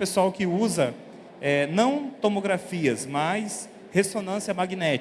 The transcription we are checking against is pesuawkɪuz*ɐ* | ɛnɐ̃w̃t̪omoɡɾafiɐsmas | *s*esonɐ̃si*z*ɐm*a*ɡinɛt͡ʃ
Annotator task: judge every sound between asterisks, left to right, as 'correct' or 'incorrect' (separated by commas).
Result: correct, incorrect, incorrect, correct